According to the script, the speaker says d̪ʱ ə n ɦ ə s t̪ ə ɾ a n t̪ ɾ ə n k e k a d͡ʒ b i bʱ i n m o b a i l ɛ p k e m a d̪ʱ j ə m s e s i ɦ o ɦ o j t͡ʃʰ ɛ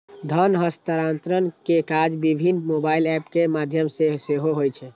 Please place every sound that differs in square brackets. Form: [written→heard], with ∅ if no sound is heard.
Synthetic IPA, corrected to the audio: d̪ʱ ə n ɦ ə s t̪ ə ɾ a n t̪ ɾ ə n k e k a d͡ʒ b i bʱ i n m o b a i l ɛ p k e m a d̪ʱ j ə m s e s [i→e] ɦ o ɦ o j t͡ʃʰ ɛ